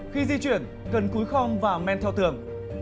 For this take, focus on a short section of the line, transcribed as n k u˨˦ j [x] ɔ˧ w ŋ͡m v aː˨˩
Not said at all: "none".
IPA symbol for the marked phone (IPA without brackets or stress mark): x